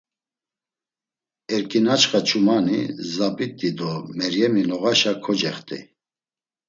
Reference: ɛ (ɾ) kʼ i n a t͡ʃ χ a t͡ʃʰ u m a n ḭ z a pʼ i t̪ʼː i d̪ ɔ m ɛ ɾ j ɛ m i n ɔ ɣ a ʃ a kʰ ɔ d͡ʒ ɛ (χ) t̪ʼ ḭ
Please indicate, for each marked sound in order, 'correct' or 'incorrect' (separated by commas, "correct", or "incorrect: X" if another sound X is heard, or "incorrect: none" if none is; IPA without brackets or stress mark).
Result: correct, correct